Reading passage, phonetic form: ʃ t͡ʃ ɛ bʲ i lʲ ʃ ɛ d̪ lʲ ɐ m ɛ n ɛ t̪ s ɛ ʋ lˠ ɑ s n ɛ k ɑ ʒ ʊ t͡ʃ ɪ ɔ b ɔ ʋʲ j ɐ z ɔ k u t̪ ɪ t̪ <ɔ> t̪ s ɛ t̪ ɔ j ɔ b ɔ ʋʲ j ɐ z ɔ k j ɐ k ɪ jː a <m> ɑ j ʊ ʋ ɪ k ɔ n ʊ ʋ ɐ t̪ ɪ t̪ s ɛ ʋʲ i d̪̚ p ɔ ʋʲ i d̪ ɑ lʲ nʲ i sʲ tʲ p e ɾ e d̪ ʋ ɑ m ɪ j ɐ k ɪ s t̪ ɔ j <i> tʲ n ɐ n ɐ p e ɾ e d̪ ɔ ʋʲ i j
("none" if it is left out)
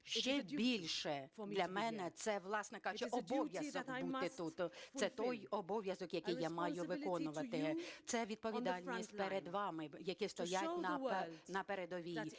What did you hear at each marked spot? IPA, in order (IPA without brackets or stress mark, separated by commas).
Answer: u, m, a